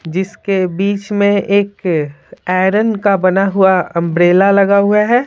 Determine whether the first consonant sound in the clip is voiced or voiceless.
voiced